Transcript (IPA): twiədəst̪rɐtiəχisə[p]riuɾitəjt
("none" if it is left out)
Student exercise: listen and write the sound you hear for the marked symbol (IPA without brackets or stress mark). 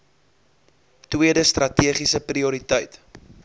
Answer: p